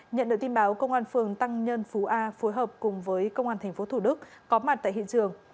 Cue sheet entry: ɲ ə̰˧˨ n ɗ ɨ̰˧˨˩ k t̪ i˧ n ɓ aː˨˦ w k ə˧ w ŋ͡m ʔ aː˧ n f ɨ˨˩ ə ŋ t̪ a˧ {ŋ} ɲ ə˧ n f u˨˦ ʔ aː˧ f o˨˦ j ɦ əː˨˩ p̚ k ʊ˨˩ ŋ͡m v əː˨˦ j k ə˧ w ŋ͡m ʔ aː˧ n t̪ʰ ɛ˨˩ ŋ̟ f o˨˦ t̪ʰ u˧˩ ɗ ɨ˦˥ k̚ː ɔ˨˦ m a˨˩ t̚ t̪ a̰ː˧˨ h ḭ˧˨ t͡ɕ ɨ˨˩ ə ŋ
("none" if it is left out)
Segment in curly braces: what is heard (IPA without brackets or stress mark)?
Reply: ŋ